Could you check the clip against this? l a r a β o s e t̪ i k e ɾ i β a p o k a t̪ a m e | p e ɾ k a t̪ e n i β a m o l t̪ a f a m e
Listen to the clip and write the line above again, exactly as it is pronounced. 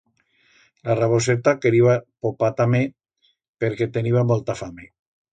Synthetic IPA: l a r a β o s e t̪ a k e ɾ i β a p o p a t̪ a m e | p e ɾ k e t̪ e n i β a m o l t̪ a f a m e